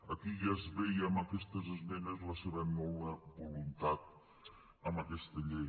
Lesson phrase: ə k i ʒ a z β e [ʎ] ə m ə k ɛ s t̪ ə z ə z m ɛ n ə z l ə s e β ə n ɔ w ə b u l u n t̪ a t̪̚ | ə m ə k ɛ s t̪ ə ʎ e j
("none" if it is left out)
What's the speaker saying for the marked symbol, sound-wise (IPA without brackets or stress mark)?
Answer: j